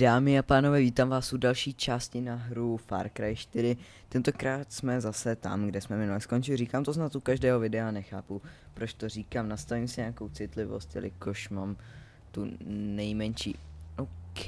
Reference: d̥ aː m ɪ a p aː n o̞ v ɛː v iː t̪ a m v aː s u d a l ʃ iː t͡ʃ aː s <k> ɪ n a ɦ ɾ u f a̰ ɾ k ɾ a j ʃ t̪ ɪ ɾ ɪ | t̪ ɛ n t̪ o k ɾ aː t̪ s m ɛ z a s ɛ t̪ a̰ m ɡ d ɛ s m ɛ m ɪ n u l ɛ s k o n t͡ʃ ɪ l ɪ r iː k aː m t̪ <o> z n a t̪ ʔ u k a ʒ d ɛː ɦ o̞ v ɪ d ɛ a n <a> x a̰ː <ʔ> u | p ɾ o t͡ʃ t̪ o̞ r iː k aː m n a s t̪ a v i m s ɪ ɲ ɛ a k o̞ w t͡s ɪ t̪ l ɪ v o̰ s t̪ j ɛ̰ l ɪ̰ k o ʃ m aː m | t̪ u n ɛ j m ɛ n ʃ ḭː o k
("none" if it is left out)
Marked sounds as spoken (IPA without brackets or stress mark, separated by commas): c, o, ɛ, p